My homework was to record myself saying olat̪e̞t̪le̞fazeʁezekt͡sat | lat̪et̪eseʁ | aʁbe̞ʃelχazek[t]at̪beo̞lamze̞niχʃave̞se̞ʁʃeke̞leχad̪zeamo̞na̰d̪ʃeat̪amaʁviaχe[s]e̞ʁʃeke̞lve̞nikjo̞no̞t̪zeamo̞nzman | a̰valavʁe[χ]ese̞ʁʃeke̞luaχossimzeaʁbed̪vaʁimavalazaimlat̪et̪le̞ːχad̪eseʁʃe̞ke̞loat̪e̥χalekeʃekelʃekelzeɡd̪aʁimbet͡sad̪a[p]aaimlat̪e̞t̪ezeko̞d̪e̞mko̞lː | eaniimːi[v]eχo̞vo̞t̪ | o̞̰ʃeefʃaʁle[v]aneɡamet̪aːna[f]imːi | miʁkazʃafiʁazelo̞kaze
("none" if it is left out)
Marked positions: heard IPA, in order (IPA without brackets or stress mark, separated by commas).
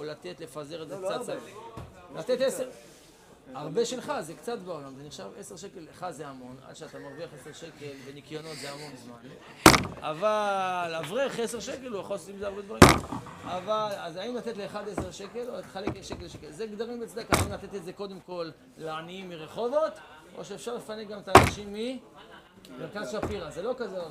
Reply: t͡s, s, χ, k, ʁ, f, ʃ